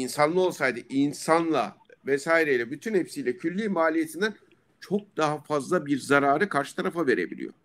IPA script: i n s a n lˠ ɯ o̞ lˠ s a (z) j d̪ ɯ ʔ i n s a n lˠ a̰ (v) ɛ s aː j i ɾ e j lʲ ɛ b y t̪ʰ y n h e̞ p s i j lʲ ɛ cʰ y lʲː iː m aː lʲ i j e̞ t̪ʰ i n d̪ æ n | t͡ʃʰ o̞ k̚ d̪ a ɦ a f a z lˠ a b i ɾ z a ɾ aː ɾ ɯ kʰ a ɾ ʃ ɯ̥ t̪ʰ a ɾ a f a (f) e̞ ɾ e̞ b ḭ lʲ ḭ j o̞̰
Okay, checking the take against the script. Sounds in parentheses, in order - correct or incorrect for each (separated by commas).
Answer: incorrect, correct, incorrect